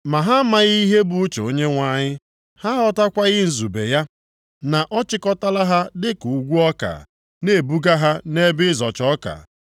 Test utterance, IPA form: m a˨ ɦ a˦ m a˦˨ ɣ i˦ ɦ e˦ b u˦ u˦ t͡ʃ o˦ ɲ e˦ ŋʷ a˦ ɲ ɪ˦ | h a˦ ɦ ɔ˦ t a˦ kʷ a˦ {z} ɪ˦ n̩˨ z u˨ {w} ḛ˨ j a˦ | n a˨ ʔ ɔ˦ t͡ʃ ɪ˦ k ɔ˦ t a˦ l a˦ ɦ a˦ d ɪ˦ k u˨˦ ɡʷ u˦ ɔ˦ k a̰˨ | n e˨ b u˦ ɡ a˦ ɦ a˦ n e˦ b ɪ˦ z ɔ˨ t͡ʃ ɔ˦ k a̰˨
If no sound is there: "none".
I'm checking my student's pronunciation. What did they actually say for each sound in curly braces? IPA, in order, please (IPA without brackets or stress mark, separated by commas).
ɣ, b